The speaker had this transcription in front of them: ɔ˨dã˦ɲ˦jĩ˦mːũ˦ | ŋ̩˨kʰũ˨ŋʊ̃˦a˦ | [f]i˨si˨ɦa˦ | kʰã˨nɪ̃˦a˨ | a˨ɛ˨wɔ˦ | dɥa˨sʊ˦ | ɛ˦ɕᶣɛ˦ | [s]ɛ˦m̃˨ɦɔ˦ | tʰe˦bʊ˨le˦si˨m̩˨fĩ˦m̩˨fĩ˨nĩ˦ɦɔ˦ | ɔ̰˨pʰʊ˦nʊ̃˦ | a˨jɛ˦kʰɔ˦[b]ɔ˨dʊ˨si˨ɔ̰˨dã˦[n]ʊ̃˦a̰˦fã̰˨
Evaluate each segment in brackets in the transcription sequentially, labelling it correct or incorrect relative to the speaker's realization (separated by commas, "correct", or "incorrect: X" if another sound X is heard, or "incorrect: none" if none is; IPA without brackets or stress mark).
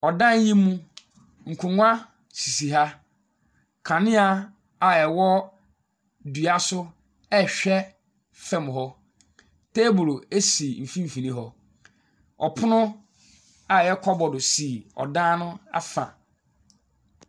incorrect: s, incorrect: f, correct, correct